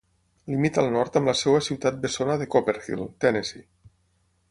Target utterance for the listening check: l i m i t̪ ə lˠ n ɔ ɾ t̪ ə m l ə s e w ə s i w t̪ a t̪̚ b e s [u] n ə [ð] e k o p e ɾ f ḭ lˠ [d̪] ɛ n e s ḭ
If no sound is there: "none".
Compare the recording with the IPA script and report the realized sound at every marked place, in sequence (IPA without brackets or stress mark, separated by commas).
o, ð, t̪